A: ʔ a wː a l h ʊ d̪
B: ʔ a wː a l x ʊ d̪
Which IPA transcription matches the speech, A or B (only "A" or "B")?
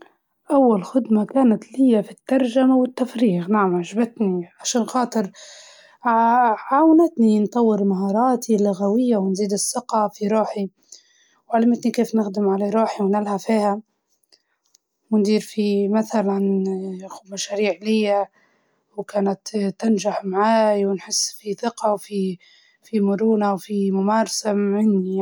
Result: B